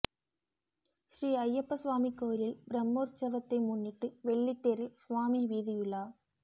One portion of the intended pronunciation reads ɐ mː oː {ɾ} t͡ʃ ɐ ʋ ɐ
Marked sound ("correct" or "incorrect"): correct